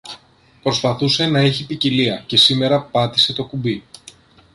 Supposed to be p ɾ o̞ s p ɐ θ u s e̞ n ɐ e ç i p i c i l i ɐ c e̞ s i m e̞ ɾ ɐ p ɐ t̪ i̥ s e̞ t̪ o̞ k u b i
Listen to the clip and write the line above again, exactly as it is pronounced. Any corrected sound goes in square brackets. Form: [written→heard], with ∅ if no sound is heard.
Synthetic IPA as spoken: p ɾ o̞ s p ɐ θ u s e̞ n ɐ e ç i p i c i l i ɐ c e̞ s i m e̞ ɾ ɐ p ɐ t̪ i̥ s e̞ t̪ o̞ k u b i